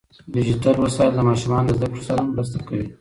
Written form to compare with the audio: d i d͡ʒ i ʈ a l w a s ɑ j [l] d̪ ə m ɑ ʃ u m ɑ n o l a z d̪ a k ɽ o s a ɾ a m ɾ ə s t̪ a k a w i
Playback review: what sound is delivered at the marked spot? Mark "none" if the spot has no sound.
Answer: l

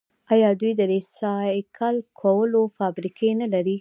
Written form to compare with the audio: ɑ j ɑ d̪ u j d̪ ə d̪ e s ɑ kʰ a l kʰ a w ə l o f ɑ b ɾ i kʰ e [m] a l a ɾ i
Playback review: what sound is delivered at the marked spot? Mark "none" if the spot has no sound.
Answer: n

